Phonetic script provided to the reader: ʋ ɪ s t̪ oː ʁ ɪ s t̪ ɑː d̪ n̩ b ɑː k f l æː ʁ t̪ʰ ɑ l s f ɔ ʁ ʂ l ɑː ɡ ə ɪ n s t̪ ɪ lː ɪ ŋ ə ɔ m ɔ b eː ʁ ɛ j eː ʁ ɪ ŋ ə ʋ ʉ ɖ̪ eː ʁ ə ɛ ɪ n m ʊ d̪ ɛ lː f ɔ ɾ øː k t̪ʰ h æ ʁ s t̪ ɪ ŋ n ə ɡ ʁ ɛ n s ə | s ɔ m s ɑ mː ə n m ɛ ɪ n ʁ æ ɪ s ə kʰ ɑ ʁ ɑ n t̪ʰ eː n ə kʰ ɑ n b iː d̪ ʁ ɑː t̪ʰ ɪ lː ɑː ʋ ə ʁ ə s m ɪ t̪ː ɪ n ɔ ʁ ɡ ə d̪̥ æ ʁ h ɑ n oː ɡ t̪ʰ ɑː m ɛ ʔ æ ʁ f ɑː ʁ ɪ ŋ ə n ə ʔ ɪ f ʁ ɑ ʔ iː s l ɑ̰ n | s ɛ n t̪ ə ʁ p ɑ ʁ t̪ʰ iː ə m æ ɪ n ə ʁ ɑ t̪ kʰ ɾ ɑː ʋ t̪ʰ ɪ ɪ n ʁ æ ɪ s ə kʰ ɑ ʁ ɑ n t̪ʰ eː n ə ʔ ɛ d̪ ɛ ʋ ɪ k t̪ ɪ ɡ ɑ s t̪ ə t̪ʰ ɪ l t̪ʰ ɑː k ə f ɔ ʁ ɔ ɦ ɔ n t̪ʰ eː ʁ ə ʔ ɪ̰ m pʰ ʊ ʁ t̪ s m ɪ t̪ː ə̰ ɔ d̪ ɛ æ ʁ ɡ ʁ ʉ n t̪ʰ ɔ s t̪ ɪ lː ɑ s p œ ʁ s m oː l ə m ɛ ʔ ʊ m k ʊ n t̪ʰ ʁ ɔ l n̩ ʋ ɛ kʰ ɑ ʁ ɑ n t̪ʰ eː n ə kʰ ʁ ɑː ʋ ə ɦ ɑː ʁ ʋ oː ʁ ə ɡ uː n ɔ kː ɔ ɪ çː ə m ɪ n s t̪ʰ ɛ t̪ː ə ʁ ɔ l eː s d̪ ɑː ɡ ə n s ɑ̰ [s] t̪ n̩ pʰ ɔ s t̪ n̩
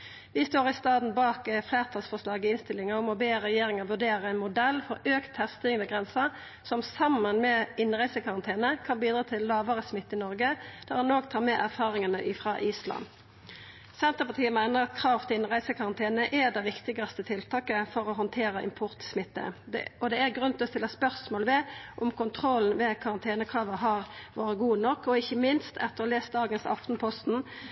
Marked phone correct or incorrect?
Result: incorrect: f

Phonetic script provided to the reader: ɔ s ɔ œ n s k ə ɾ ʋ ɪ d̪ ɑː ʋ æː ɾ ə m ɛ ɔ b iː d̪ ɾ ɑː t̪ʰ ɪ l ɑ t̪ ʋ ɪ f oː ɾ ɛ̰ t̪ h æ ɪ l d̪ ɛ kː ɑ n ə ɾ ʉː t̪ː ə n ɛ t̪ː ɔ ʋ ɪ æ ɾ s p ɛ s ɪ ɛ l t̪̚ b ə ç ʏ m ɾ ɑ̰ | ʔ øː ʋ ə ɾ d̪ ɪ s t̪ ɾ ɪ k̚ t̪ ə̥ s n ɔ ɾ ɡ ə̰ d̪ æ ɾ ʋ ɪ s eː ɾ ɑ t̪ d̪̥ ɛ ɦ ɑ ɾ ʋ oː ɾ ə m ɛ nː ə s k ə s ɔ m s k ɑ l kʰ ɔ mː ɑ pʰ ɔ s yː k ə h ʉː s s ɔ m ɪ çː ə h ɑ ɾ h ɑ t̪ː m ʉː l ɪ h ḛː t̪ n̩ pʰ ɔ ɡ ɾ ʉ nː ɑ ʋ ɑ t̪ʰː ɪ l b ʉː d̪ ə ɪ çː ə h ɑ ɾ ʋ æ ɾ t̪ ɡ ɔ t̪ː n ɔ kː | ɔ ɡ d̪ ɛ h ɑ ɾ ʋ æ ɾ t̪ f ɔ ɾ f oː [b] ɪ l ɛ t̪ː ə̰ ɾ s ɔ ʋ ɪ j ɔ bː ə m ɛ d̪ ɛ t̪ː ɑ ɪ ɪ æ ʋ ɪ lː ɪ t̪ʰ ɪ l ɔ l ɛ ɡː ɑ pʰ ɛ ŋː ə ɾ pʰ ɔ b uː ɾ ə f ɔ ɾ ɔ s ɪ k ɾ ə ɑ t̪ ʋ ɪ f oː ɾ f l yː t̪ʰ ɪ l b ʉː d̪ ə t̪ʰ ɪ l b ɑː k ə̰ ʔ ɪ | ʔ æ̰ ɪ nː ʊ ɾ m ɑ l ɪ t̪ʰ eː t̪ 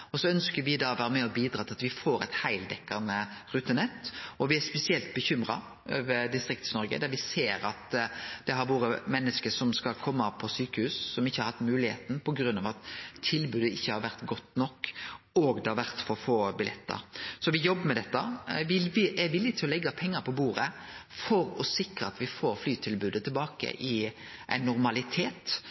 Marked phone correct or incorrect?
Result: correct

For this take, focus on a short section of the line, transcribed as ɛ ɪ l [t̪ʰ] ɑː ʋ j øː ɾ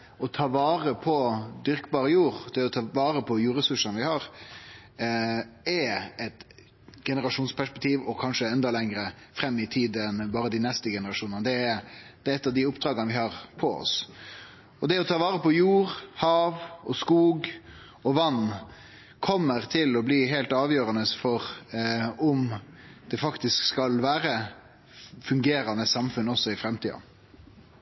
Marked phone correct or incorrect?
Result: incorrect: t̪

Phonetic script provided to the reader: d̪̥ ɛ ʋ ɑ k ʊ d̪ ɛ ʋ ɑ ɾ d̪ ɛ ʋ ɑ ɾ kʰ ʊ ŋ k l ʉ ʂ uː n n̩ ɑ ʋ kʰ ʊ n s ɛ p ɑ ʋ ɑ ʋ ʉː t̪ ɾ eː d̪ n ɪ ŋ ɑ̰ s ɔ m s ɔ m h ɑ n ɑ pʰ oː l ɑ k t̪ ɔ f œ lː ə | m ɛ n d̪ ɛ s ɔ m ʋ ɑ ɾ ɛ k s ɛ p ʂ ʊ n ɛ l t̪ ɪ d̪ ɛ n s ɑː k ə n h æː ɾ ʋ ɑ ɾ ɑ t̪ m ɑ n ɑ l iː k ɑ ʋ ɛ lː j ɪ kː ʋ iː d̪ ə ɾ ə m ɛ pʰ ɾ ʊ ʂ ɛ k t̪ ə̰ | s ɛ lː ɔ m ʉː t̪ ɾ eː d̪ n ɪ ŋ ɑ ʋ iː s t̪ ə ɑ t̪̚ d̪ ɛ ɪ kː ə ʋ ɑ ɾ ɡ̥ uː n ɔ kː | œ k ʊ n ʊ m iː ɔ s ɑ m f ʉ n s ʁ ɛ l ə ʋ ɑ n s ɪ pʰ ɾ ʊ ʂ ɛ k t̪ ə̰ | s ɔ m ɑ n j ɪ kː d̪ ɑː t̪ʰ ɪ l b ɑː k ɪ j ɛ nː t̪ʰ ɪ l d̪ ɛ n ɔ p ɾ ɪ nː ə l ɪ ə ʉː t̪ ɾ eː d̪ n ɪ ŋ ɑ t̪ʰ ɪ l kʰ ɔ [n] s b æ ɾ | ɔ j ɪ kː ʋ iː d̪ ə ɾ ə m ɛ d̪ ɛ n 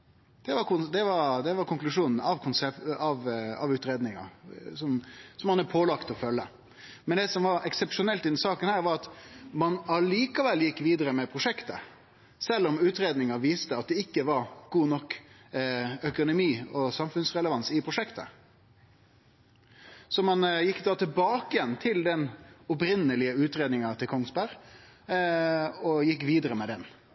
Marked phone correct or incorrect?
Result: incorrect: ŋ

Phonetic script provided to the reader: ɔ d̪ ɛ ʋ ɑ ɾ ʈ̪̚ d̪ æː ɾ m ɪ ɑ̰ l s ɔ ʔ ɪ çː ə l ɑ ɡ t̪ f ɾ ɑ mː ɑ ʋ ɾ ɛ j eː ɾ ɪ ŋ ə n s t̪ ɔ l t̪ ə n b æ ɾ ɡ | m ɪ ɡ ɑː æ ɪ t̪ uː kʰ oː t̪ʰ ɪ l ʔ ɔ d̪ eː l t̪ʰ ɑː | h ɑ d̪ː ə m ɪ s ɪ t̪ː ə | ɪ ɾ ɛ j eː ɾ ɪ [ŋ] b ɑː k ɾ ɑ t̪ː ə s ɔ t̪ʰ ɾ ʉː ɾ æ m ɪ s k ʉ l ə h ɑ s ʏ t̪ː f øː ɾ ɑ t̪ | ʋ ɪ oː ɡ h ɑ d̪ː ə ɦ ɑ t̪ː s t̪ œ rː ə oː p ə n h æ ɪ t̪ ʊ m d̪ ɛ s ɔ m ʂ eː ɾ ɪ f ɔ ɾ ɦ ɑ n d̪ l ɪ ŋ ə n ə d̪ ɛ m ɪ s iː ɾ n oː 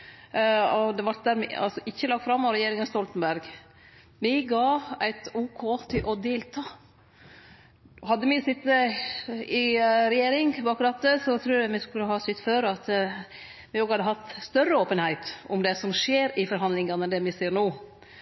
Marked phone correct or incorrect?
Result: correct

